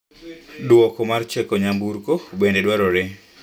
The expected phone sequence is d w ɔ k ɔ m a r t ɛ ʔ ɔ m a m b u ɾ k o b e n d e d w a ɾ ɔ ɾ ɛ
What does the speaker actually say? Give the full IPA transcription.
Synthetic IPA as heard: d w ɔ k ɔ m a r t͡ʃ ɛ k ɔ ɲ a m b u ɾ k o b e n d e d w a ɾ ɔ ɾ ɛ